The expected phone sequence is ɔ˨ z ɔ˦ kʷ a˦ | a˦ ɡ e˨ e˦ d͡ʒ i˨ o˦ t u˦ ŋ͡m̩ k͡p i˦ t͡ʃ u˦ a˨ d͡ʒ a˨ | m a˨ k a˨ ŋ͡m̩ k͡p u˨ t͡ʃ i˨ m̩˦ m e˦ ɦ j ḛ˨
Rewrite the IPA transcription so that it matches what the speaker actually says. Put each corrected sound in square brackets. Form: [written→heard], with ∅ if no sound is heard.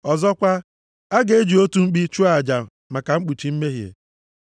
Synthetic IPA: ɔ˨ z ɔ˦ kʷ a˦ | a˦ ɡ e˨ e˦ d͡ʒ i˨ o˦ t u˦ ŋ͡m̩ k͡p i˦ t͡ʃ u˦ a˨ d͡ʒ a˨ | m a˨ k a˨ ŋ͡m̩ k͡p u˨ t͡ʃ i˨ m̩˦ m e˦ ɦ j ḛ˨